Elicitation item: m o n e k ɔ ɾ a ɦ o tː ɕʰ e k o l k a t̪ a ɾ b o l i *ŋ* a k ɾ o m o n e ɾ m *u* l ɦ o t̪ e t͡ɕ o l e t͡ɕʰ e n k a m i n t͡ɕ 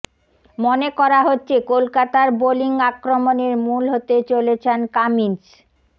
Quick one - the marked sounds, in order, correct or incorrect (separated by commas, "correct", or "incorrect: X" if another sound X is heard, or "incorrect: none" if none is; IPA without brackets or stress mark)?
correct, correct